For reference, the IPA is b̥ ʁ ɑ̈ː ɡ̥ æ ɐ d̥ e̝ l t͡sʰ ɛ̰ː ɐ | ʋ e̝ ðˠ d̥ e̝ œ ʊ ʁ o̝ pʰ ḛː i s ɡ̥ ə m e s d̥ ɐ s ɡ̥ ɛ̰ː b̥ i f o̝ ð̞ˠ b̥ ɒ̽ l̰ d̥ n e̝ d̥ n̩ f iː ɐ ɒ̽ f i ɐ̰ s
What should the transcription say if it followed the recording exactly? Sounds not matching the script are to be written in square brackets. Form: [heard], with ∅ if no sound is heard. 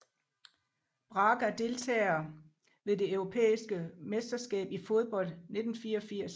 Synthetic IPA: b̥ ʁ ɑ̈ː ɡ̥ æ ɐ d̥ e̝ l t͡sʰ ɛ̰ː ɐ | ʋ e̝ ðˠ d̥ e̝ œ ʊ ʁ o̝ pʰ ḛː i s ɡ̥ ə m e s d̥ ɐ s ɡ̥ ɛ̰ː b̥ i f o̝ ð̞ˠ b̥ ɒ̽ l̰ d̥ n e̝ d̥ n̩ f iː ɐ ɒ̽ f i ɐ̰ s